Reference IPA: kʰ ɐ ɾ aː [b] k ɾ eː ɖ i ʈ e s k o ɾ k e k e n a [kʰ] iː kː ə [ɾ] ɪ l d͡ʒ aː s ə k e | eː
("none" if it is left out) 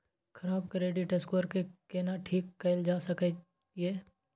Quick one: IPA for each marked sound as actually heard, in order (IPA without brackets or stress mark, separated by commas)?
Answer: b, ʈʰ, none